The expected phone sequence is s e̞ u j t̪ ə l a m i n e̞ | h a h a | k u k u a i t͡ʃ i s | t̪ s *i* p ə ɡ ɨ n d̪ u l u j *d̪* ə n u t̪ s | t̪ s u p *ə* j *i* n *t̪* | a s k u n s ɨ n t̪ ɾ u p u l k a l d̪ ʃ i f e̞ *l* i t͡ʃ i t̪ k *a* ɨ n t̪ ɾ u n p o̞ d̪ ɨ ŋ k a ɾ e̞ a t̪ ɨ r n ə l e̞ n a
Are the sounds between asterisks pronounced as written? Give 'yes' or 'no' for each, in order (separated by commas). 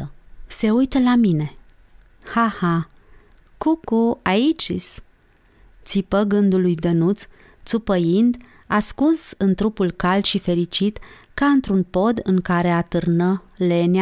yes, yes, yes, yes, no, no, yes